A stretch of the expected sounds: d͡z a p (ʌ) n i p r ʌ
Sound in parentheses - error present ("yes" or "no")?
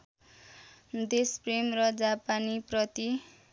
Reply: yes